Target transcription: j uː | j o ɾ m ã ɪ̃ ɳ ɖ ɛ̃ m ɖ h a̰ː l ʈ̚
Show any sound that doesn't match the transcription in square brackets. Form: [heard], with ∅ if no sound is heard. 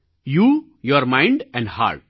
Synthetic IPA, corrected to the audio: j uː | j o ɾ m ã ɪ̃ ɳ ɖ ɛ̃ [ɳ] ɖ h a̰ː [ɾ] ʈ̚